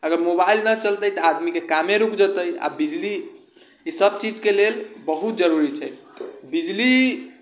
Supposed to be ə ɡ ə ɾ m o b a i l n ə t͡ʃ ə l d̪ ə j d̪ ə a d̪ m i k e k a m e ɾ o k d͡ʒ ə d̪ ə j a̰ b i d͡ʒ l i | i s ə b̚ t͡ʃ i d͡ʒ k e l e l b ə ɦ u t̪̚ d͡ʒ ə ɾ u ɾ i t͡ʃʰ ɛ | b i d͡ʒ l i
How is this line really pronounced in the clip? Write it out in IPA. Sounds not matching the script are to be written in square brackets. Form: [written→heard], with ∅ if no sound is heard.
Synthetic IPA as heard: ə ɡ ə ɾ m o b a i l n ə t͡ʃ ə l [d̪→t̪] ə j [d̪→t̪] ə a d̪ m i k e k a m e ɾ [o→u] k d͡ʒ ə [d̪→t̪] ə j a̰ b i d͡ʒ l i | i s ə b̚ t͡ʃ i d͡ʒ k e l e l b ə ɦ u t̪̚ d͡ʒ ə ɾ u ɾ i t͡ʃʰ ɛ | b i d͡ʒ l i

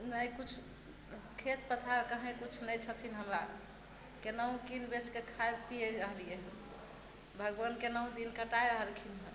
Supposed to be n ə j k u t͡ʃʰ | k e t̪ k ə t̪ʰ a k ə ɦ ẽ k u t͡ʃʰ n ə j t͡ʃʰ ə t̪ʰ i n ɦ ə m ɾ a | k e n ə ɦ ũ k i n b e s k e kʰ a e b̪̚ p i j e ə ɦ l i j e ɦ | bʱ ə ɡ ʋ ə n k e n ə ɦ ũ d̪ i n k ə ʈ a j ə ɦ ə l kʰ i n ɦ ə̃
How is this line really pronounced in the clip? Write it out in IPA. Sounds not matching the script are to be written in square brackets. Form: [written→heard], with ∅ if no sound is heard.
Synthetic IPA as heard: n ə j k u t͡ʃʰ | [k→kʰ] e t̪ [k→p] ə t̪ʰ a k ə ɦ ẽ k u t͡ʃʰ n ə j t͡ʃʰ ə t̪ʰ i n ɦ ə m ɾ a | k e n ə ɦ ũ k i n b e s k e kʰ a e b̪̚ p i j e ə ɦ l i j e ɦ | bʱ ə ɡ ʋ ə n k e n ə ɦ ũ d̪ i n k ə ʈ a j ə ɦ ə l kʰ i n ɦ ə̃

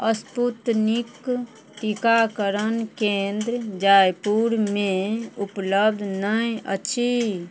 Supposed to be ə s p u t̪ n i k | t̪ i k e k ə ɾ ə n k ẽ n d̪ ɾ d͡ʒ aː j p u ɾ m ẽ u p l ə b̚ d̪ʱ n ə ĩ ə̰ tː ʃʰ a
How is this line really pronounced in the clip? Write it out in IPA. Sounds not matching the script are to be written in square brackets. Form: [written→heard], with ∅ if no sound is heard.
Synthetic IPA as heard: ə s p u t̪ n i k | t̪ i k [e→a] k ə ɾ ə n k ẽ n d̪ ɾ d͡ʒ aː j p u ɾ m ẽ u p l ə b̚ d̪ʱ n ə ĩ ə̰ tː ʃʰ [a→i]

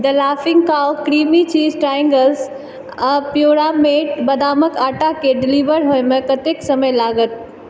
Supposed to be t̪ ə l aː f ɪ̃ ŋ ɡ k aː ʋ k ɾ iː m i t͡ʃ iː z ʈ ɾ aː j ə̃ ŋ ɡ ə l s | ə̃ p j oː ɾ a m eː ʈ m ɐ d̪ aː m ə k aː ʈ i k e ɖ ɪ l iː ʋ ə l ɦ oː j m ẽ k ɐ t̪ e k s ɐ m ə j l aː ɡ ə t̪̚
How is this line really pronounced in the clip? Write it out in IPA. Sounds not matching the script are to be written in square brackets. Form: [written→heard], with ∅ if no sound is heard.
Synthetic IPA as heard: [t̪→d̪] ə l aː f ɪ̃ ŋ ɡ k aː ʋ k ɾ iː m i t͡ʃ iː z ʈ ɾ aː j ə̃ ŋ ɡ ə l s | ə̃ p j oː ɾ a m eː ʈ [m→b] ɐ d̪ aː m ə k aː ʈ [i→a] k e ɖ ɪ l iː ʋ ə [l→ɾ] ɦ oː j m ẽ k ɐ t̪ e k s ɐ m ə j l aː ɡ ə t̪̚

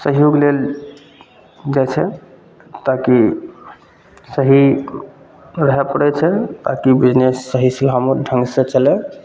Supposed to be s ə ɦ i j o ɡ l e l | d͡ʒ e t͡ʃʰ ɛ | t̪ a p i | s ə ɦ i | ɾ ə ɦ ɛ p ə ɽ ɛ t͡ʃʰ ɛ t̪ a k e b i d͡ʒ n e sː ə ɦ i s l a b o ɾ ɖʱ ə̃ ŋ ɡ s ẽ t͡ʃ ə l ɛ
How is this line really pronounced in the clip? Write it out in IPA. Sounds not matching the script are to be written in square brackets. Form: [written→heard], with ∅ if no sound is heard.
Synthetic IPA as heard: s ə ɦ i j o ɡ l e l | d͡ʒ [e→a] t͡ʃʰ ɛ | t̪ a [p→k] i | s ə ɦ i | ɾ ə ɦ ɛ p ə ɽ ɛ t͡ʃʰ ɛ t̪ a k [e→i] b i d͡ʒ n e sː ə ɦ i s l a [b→m] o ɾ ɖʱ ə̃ ŋ ɡ s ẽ t͡ʃ ə l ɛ

